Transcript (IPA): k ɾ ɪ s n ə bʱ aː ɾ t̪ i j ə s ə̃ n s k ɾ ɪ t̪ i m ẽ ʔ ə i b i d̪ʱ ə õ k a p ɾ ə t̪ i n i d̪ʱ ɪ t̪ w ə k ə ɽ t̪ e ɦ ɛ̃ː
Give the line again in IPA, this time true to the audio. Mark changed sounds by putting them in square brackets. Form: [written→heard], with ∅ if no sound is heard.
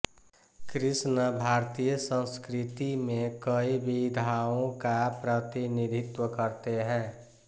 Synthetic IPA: k ɾ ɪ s n ə bʱ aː ɾ t̪ i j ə s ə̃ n s k ɾ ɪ t̪ i m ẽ [ʔ→k] ə i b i d̪ʱ [ə→a] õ k a p ɾ ə t̪ i n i d̪ʱ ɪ t̪ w ə k ə [ɽ→ɾ] t̪ e ɦ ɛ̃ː